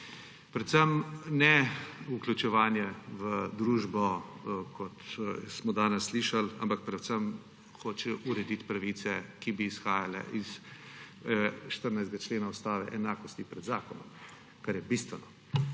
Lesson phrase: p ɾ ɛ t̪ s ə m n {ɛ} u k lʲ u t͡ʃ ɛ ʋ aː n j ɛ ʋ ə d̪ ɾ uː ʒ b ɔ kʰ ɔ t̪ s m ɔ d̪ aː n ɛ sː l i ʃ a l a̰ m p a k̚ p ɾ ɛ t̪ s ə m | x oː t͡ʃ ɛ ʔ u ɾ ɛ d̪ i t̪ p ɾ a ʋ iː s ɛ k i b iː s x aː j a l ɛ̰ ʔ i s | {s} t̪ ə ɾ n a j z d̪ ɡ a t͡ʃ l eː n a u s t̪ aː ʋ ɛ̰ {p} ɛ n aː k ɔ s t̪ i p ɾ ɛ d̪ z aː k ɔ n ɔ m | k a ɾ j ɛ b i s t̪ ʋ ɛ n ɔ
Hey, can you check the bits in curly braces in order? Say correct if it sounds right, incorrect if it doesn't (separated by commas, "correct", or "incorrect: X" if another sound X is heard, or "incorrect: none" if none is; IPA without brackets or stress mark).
correct, incorrect: ʃ, incorrect: ʔ